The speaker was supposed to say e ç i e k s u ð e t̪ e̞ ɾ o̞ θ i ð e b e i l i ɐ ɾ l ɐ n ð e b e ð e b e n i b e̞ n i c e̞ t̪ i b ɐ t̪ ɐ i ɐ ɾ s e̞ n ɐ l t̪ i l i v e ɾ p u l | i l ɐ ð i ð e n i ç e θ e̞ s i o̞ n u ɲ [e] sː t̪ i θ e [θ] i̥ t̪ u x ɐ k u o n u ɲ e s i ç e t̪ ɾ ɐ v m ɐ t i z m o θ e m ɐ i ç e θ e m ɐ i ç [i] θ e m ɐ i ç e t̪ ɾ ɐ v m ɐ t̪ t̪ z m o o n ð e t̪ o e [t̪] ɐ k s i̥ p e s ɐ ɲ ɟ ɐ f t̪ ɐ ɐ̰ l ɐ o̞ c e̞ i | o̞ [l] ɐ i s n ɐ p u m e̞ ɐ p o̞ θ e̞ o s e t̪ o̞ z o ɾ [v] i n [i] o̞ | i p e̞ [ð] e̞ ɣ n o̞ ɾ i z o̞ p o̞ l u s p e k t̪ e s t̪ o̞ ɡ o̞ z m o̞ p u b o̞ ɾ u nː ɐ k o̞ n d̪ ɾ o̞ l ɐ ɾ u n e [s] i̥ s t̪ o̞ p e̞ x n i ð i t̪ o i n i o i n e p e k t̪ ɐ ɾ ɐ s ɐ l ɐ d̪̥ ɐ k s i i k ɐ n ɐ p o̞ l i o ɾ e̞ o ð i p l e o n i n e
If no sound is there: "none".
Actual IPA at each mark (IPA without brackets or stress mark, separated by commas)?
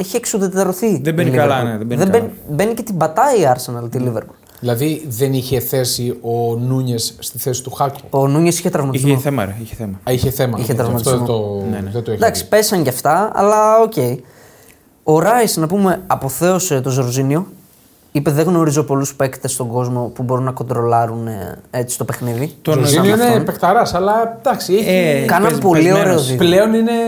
e, s, e, d̪, ɾ, z, i, ð, t͡s